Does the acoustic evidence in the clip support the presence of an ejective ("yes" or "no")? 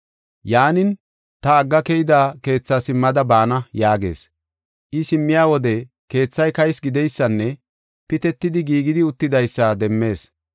no